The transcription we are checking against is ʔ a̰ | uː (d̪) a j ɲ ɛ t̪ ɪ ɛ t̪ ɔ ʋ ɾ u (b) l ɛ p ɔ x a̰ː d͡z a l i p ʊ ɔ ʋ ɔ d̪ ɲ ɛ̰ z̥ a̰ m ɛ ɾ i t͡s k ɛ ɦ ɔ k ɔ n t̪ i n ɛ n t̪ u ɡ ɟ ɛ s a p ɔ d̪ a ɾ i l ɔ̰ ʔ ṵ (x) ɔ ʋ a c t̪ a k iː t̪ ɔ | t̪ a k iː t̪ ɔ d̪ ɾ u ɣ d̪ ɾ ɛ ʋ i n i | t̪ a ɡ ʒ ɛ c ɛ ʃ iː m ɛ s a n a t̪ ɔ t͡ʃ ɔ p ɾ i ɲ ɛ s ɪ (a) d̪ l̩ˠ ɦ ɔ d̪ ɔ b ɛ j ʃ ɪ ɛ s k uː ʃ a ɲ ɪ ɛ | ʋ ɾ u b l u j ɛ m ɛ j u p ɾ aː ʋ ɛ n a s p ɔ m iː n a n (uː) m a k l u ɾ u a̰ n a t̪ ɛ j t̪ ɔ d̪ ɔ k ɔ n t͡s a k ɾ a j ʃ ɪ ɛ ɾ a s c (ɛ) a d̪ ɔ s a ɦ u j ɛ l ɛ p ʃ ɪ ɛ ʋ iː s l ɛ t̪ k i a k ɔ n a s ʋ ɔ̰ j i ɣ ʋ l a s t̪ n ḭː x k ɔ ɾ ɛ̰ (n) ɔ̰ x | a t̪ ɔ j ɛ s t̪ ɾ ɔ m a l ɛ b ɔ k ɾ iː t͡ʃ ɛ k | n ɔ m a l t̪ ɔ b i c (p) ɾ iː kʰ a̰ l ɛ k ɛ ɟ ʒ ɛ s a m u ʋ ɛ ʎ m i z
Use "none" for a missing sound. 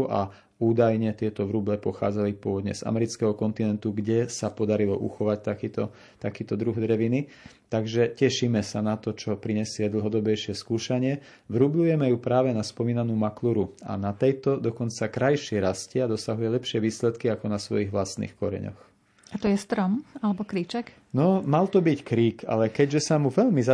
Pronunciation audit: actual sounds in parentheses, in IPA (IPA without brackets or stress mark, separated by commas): d̪, b, x, ɛ, uː, ɛ, ɲ, k